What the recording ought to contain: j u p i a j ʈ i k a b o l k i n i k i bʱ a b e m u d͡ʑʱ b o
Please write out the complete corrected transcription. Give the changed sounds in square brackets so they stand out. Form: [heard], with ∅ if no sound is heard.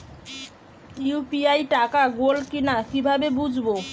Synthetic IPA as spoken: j u p i a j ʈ [a] k a [ɡ] o l k i n [a] k i bʱ a b e [b] u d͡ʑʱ b o